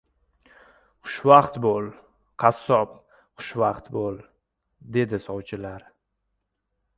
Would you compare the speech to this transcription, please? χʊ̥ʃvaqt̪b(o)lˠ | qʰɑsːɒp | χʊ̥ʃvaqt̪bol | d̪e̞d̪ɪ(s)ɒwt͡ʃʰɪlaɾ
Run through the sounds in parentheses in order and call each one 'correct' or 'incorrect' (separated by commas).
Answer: correct, correct